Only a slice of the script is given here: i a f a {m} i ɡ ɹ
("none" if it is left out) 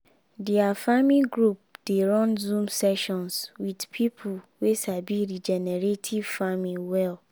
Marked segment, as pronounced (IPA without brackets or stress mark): m